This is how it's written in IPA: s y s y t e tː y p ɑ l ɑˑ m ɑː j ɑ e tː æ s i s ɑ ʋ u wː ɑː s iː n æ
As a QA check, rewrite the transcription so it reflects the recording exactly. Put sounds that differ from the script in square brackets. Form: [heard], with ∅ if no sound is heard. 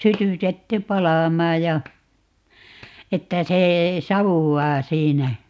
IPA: s y [t] y t e tː y p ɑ l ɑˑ m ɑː j ɑ e tː æ s [e] s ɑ ʋ u wː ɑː s iː n æ